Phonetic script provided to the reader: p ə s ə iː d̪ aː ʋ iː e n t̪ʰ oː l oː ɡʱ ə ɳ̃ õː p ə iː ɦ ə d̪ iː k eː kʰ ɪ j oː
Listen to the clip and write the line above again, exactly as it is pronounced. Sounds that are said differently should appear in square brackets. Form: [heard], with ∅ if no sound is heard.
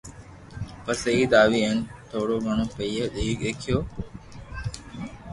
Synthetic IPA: p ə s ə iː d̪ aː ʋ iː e n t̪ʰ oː [ɽ] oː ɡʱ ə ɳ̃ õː p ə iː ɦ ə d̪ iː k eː kʰ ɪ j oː